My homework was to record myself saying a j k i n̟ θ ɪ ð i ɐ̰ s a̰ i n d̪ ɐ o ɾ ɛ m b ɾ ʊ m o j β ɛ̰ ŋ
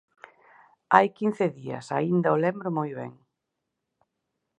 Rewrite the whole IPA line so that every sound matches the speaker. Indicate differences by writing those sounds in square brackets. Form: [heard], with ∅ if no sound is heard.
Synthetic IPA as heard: a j k i n̟ θ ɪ ð i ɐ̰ s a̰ i n d̪ ɐ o [l] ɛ m b ɾ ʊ m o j β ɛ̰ ŋ